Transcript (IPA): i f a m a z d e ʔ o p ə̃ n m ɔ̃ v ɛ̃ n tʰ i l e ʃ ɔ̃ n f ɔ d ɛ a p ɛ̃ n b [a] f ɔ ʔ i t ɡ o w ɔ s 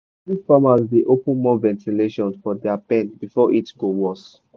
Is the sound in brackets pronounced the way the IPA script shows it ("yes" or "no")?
no